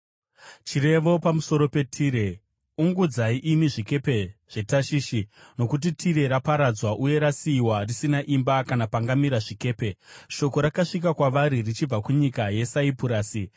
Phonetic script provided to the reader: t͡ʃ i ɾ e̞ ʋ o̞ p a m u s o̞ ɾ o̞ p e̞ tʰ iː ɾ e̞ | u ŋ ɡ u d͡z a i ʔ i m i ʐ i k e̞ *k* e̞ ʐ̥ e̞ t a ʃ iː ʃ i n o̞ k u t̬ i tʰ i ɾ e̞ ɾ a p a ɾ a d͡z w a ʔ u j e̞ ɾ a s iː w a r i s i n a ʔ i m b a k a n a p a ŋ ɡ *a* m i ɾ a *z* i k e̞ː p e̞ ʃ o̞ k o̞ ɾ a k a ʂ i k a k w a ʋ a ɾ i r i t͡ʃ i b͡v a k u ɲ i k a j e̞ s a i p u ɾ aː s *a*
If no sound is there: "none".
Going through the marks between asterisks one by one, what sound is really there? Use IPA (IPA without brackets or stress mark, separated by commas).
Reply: p, a, ʐ, i